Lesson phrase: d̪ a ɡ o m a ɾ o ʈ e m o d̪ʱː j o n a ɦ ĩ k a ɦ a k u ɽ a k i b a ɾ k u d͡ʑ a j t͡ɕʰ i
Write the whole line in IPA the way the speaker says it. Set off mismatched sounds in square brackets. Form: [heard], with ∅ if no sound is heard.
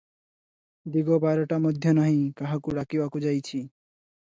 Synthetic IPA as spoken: d̪ [i] ɡ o [b] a ɾ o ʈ [a] m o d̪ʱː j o n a ɦ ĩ k a ɦ a k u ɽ a k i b a [∅] k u d͡ʑ a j t͡ɕʰ i